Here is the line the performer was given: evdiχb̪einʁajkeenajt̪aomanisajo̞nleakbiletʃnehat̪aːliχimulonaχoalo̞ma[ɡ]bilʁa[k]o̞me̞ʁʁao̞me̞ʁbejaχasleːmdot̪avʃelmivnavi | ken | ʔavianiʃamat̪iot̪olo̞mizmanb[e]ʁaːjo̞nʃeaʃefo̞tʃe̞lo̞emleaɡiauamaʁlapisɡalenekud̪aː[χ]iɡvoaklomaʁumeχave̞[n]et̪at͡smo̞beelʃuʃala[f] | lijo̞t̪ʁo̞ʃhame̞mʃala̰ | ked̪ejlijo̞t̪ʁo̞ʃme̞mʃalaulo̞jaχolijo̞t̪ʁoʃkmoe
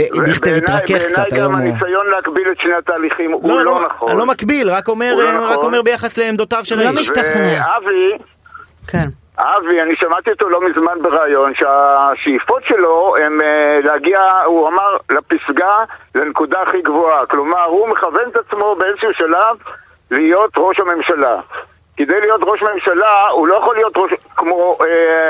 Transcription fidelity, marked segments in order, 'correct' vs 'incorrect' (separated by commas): incorrect, correct, correct, correct, correct, incorrect